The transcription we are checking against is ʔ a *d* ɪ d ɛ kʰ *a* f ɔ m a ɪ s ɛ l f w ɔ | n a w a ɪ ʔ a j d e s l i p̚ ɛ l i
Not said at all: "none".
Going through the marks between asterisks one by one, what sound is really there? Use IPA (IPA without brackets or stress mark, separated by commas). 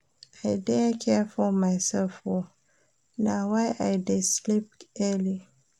none, ɛ